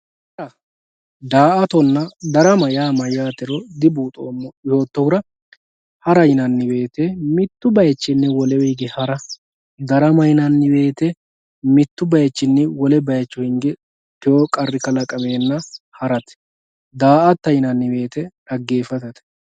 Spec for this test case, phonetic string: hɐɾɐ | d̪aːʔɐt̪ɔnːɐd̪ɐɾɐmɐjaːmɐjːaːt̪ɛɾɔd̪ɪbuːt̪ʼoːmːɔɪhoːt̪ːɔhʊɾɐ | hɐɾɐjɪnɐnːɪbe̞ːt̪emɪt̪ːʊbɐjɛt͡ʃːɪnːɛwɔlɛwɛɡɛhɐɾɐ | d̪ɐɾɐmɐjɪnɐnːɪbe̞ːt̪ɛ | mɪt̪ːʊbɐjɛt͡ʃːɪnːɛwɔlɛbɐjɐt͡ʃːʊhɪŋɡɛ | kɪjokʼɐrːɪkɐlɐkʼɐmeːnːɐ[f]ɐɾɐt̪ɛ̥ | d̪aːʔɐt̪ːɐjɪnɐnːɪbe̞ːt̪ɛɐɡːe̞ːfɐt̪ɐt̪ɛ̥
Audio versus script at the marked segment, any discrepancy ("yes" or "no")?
yes